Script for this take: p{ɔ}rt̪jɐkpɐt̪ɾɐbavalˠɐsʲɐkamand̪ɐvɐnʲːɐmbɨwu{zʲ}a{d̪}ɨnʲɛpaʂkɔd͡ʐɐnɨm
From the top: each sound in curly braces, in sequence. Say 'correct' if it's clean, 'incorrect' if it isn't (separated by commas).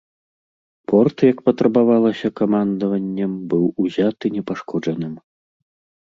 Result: correct, correct, incorrect